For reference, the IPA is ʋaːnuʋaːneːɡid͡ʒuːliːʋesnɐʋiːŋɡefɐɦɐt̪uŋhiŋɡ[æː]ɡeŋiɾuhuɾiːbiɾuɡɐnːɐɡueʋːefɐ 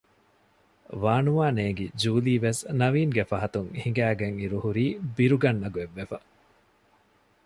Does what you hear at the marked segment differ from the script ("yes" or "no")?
no